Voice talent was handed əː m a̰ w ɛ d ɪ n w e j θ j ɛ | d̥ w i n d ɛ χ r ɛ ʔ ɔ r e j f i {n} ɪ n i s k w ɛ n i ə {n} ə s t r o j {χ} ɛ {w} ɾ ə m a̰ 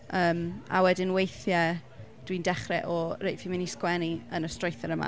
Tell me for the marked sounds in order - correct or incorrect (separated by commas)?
incorrect, correct, incorrect, incorrect